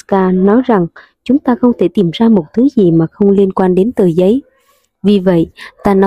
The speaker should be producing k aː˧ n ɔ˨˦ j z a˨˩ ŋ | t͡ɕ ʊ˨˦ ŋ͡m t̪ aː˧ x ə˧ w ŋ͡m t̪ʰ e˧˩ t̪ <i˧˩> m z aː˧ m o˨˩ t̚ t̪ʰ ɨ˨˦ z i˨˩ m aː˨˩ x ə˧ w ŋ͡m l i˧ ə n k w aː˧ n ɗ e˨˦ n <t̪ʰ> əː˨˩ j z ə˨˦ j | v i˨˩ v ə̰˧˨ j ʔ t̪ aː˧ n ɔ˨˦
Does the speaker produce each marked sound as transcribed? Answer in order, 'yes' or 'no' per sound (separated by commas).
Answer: yes, no